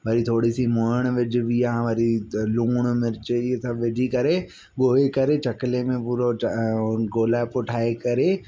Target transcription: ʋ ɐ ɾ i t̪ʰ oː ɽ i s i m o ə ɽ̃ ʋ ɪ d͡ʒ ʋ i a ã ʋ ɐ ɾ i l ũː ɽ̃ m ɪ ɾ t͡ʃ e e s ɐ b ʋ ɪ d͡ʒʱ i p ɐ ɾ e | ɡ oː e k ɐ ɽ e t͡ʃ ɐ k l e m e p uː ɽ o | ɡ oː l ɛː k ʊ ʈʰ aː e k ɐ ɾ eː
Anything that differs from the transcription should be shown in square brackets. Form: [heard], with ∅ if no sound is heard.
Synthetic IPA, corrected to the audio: ʋ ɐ ɾ i t̪ʰ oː ɽ i s i m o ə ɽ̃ ʋ ɪ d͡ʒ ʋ i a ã ʋ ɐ ɾ i l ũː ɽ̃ m ɪ ɾ t͡ʃ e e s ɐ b ʋ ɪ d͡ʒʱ i [k] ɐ ɾ e | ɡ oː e k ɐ [ɾ] e t͡ʃ ɐ k l e m [ẽ] p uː [ɾ] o | ɡ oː l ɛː [p] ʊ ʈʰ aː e k ɐ ɾ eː